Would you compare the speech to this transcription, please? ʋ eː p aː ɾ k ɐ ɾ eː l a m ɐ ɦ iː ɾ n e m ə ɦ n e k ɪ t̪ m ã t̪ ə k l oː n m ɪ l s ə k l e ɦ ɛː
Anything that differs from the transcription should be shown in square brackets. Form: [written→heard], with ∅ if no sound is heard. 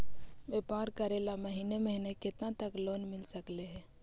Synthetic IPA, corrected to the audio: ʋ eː p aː ɾ k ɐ ɾ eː l a m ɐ ɦ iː [ɾ→∅] n e m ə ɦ n e k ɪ t̪ [m→n] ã t̪ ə k l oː n m ɪ l s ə k l e ɦ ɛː